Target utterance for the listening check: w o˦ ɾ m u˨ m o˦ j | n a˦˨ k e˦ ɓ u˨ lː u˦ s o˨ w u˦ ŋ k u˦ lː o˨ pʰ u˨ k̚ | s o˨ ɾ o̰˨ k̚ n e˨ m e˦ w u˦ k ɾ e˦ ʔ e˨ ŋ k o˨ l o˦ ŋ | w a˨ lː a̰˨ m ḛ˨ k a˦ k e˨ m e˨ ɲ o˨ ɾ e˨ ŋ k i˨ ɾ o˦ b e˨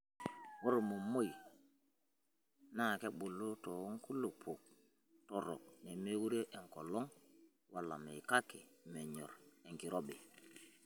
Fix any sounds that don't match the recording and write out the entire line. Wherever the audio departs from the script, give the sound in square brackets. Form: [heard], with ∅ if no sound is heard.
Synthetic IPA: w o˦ ɾ m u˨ m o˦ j | n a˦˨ k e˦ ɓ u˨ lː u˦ [t] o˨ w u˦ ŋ k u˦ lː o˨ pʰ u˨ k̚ | [t] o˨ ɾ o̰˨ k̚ n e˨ m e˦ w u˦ [∅] ɾ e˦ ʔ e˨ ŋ k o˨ l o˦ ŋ | w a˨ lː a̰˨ m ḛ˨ k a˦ k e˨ m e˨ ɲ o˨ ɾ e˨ ŋ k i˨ ɾ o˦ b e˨

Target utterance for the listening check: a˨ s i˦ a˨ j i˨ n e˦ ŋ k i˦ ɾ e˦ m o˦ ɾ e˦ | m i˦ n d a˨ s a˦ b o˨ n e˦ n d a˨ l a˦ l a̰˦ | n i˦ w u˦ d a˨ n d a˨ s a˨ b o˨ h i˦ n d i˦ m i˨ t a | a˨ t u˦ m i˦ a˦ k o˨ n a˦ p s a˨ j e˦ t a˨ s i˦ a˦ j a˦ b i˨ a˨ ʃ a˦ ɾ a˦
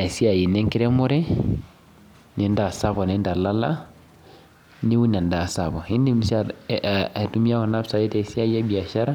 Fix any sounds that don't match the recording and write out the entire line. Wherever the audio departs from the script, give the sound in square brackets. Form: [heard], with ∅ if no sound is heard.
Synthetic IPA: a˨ s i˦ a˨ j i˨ n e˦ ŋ k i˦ ɾ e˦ m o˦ ɾ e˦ | [n] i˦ n d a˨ s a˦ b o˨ n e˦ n d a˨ l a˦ l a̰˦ | n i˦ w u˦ [n] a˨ n d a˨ s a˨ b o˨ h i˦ n d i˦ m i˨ [s] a | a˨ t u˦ m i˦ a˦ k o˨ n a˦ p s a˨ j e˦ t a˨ s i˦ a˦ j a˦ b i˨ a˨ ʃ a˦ ɾ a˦

